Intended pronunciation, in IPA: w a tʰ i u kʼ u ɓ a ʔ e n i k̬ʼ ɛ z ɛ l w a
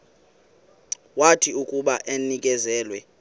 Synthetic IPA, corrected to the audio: w a tʰ i u kʼ u ɓ a ʔ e n i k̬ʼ ɛ z ɛː l w ɛ